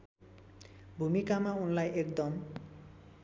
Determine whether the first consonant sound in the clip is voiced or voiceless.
voiced